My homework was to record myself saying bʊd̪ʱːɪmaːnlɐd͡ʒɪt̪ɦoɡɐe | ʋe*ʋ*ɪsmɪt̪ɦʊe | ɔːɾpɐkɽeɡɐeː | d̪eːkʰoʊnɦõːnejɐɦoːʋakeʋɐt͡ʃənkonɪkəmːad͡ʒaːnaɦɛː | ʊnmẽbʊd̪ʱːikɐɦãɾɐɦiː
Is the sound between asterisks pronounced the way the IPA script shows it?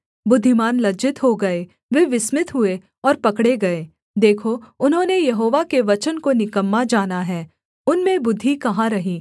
yes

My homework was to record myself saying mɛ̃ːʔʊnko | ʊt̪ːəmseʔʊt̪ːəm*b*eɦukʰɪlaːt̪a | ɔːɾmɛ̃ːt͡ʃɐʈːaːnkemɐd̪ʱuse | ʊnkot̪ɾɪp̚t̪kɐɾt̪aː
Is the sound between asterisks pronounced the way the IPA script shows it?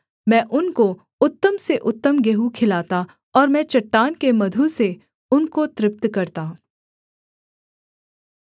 no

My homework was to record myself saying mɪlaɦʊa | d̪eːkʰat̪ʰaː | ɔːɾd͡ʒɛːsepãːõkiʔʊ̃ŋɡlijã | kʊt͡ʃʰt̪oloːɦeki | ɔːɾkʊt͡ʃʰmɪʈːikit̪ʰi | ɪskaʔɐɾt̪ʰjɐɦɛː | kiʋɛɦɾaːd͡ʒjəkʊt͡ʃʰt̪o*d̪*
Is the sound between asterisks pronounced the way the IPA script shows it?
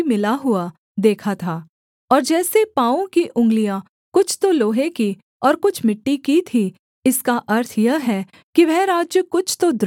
yes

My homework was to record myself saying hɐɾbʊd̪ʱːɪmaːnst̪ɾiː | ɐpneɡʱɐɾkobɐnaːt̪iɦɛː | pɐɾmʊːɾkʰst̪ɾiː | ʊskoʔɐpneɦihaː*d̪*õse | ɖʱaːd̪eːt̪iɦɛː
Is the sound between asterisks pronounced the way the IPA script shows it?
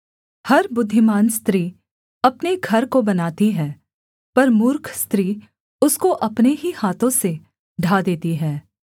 no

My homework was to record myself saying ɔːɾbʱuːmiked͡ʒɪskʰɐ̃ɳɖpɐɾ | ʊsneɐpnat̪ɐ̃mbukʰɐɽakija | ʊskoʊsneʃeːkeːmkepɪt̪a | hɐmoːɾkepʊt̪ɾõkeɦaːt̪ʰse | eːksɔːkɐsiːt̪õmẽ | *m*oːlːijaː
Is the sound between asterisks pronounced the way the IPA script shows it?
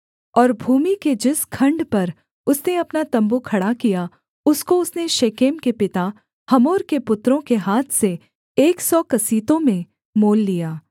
yes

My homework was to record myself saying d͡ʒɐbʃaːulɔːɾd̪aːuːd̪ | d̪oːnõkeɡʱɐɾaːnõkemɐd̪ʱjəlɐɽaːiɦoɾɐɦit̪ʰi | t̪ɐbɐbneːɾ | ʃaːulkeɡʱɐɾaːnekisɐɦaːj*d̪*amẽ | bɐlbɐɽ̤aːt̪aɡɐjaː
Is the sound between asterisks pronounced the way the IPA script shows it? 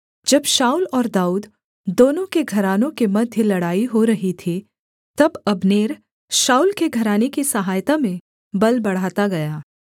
no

